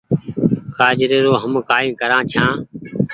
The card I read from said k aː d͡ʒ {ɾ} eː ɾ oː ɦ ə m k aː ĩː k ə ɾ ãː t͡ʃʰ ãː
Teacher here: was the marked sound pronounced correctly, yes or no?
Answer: yes